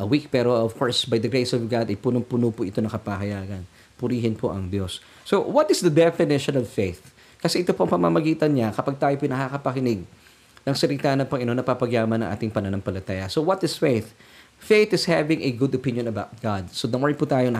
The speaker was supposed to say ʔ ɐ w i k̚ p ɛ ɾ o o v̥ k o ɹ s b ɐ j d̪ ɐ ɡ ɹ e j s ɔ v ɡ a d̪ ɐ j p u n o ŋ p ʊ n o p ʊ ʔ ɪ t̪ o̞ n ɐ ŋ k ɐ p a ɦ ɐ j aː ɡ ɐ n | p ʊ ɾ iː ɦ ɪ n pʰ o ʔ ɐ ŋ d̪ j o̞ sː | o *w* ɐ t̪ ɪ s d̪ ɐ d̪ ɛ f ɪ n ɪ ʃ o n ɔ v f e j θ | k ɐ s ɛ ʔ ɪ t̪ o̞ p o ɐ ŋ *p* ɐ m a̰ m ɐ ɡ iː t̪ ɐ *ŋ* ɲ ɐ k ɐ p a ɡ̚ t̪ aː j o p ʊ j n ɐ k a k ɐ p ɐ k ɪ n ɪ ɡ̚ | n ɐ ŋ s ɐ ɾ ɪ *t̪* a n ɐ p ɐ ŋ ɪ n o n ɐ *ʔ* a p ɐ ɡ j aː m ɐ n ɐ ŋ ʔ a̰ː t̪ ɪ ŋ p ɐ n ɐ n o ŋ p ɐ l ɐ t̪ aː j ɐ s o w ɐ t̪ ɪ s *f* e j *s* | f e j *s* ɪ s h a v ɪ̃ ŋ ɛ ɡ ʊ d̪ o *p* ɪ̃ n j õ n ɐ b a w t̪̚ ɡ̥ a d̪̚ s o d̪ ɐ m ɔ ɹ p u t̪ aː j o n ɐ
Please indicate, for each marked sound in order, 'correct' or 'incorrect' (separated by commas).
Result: correct, correct, incorrect, correct, incorrect, correct, incorrect, incorrect, correct